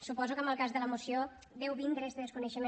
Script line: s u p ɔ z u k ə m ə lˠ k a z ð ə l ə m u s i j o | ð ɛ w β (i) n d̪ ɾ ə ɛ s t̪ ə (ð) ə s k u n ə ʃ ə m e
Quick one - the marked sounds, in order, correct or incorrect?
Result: correct, correct

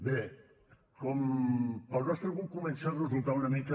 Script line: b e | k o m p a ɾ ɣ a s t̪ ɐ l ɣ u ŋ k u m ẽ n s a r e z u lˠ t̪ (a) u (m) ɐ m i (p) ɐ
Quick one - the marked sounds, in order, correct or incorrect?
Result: correct, incorrect, incorrect

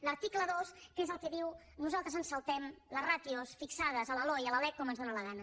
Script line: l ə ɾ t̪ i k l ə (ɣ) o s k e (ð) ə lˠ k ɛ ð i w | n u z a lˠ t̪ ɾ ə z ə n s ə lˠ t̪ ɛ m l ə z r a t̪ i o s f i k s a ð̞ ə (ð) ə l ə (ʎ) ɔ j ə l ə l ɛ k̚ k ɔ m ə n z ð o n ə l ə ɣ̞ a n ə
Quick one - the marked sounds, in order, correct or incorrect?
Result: incorrect, incorrect, incorrect, incorrect

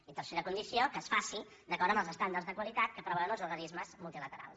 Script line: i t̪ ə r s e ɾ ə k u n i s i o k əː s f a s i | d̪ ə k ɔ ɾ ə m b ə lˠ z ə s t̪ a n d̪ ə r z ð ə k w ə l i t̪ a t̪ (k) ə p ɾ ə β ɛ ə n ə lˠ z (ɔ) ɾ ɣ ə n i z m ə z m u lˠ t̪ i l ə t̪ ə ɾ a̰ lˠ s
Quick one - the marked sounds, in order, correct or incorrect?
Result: correct, incorrect

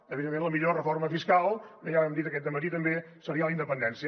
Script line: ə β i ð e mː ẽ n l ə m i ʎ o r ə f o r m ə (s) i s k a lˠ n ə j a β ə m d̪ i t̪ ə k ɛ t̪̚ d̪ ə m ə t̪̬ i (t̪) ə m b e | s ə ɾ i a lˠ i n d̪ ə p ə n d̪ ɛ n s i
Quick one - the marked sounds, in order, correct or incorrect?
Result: incorrect, correct

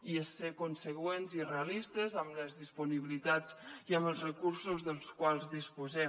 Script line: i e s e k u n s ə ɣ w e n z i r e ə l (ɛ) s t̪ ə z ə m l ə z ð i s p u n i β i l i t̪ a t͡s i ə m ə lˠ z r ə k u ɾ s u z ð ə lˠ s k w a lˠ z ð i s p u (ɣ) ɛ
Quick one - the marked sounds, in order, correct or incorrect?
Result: incorrect, incorrect

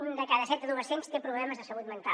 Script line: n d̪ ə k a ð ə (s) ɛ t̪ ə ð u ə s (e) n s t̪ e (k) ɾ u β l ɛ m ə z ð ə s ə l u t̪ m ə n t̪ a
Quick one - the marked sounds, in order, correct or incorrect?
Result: correct, correct, incorrect

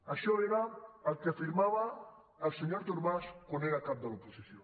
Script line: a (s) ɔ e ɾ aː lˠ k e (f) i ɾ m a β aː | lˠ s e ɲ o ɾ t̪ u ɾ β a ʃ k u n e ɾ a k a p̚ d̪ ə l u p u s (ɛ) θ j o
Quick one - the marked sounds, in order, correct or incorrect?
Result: incorrect, correct, incorrect

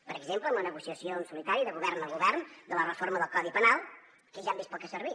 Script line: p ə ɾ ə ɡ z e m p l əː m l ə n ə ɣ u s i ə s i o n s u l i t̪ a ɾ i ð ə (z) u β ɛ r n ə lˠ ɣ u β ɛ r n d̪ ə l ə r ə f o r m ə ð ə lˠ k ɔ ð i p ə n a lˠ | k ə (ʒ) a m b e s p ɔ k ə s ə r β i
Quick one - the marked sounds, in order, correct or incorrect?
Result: incorrect, correct

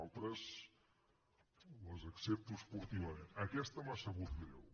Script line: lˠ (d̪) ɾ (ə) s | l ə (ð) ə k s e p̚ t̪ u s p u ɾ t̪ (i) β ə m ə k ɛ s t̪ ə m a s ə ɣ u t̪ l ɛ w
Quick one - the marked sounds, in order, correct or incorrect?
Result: incorrect, correct, incorrect, correct

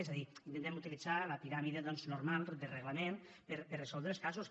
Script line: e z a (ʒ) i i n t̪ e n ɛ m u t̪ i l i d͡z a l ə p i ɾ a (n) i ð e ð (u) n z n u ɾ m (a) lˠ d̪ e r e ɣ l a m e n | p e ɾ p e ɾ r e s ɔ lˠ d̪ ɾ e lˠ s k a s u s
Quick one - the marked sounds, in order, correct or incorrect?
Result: incorrect, incorrect, incorrect, correct

